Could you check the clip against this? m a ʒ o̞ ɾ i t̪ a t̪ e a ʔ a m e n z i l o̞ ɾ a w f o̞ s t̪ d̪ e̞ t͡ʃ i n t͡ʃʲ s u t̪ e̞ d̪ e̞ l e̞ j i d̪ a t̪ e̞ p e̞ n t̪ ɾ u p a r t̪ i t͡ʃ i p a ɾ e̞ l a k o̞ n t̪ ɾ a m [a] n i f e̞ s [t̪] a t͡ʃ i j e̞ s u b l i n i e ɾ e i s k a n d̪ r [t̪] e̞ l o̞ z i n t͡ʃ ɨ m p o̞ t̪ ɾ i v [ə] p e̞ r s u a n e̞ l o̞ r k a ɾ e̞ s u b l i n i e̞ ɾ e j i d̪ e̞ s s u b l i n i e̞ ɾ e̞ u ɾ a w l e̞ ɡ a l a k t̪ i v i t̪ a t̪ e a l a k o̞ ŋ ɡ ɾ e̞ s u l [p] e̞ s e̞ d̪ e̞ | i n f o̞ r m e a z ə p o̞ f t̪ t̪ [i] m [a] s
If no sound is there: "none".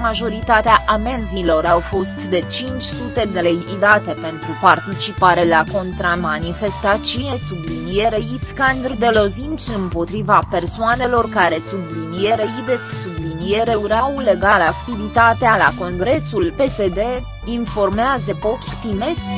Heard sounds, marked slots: a, t̪, d̪, a, p, i, e

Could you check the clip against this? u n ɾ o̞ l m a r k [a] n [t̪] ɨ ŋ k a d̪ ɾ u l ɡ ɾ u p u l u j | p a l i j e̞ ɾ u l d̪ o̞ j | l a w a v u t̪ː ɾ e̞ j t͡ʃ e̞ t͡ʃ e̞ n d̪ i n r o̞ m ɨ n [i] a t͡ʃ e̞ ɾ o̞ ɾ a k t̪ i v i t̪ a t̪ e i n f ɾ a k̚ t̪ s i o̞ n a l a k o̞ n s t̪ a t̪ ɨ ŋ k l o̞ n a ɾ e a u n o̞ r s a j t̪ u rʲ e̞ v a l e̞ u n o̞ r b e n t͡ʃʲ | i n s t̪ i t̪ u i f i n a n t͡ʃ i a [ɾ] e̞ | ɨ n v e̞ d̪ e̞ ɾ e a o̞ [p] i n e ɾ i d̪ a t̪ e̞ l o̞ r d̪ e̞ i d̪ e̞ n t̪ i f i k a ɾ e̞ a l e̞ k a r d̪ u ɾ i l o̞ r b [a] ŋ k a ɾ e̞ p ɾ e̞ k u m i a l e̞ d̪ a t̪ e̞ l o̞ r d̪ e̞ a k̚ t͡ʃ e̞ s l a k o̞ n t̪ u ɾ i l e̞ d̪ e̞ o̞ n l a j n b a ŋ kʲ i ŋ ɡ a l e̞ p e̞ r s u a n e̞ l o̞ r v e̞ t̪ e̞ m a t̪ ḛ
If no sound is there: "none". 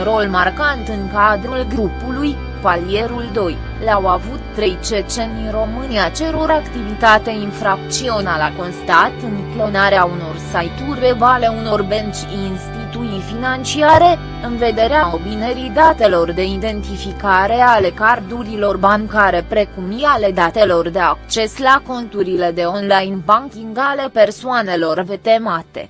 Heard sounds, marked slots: a, t̪, i, ɾ, b, a

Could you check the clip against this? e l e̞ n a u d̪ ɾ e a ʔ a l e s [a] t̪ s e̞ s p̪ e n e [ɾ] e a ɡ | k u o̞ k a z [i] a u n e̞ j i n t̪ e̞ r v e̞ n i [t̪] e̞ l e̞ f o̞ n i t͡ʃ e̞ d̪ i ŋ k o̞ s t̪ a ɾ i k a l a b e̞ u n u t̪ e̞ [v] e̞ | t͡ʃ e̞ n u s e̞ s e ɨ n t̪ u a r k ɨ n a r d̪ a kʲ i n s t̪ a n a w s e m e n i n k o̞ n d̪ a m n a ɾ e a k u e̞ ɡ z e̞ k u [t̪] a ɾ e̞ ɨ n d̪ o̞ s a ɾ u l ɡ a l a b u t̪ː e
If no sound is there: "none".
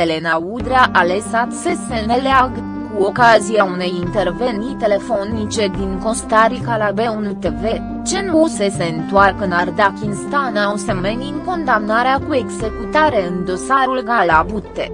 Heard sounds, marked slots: a, l, i, t̪, v, t̪

